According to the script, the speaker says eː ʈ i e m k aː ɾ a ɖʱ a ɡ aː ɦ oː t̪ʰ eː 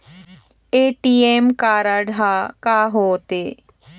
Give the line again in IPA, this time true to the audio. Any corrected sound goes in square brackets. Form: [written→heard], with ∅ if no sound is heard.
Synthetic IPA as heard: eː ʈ i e m k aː ɾ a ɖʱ a [ɡ→k] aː ɦ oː [t̪ʰ→t̪] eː

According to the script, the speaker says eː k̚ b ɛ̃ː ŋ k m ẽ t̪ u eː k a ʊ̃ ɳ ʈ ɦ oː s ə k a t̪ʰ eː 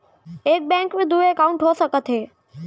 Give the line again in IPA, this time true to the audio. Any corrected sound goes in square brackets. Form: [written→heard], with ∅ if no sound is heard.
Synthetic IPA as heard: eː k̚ b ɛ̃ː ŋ k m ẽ [t̪→d̪] u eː k a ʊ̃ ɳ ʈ ɦ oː s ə k [a→ə] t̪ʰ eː

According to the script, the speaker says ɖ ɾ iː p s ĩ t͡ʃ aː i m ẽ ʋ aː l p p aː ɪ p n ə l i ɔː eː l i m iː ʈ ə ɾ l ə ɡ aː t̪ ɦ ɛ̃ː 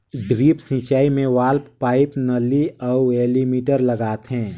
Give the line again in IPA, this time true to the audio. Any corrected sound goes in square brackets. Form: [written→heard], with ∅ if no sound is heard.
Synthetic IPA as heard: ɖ ɾ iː p s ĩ t͡ʃ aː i m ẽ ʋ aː l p p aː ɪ p n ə l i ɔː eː l i m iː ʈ ə ɾ l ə ɡ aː t̪ ɦ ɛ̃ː

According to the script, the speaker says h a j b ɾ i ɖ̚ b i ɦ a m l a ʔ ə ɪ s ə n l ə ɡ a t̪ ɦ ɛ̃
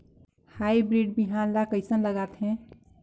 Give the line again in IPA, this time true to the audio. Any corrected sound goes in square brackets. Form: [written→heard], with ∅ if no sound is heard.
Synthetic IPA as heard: h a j b ɾ i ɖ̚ b i ɦ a [m→n] l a [ʔ→k] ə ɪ s ə n l ə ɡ a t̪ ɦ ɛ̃

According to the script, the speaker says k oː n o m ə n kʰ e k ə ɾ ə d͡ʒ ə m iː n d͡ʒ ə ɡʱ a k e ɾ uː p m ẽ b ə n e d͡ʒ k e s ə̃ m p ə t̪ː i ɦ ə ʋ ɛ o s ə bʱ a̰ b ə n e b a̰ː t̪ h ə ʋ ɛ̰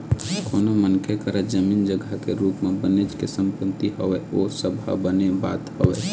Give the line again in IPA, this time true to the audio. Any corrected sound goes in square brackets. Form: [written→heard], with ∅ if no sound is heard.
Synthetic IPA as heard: k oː n o m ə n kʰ e k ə ɾ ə d͡ʒ ə m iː n d͡ʒ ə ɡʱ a k e ɾ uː p m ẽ b ə n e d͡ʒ k e s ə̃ m p ə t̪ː i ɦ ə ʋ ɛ o s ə bʱ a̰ b ə n e b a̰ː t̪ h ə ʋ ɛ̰

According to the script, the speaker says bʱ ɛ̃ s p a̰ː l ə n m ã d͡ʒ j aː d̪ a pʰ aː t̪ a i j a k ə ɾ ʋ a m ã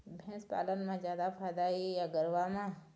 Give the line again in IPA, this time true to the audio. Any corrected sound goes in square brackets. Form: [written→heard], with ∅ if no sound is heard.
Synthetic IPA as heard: bʱ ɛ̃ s p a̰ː l ə n m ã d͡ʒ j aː d̪ a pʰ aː [t̪→d̪] a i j a [k→ɡ] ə ɾ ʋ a m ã

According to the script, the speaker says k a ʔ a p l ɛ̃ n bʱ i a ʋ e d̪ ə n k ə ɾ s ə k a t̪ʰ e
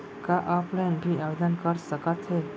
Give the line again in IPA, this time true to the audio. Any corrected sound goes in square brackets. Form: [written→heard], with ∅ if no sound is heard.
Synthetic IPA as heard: k a ʔ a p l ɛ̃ n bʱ i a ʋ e d̪ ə n k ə ɾ s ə k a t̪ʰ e

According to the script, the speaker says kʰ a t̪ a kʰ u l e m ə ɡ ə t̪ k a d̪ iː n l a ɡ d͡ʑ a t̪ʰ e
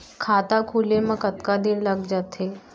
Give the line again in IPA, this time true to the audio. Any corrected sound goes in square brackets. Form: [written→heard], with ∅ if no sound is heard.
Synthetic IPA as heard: kʰ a t̪ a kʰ u l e m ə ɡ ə t̪ k a d̪ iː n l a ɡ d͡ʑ a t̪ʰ e

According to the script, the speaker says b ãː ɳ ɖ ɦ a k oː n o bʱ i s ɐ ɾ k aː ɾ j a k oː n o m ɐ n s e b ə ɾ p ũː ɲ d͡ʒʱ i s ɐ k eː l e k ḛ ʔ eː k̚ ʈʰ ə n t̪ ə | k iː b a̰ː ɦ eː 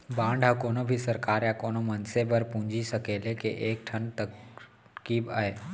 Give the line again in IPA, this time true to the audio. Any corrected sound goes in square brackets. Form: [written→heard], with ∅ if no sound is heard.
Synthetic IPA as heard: b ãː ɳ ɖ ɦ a k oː n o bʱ i s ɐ ɾ k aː ɾ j a k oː n o m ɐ n s e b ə ɾ p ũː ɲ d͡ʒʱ i s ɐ k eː l e k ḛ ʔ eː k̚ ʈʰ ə n t̪ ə | k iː b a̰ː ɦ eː

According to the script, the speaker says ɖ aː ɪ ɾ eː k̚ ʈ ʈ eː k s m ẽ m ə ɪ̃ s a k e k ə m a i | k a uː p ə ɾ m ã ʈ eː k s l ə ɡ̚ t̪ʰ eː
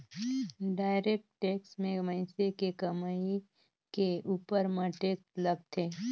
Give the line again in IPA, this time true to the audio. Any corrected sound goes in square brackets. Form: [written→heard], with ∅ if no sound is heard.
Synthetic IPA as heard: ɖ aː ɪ ɾ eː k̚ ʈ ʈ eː k s m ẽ m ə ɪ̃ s [a→e] k e k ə m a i | k [a→e] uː p ə ɾ m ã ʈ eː k s l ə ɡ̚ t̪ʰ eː

